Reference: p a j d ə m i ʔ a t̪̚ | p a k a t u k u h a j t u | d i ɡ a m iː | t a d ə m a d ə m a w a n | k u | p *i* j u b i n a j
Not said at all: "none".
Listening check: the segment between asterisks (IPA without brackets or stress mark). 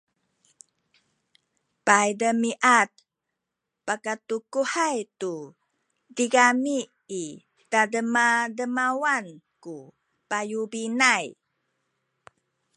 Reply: a